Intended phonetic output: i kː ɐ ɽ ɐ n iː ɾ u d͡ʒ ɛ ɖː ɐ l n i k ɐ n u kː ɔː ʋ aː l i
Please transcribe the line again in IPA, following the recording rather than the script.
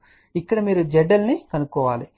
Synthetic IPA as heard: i kː ɐ ɽ ɐ m iː ɾ u d͡ʒ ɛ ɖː ɐ l n i k ɐ n u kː ɔː ʋ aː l i